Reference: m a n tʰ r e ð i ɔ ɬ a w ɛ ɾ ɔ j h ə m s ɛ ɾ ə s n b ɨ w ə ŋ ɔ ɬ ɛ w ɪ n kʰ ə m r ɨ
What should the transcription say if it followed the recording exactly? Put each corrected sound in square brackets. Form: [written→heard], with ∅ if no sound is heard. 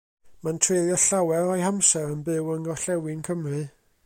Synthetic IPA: m a n tʰ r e ð [i→j] ɔ ɬ a w ɛ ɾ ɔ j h [ə→a] m s ɛ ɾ ə [s→∅] n b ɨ w ə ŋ ɔ ɬ ɛ w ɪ n kʰ ə m r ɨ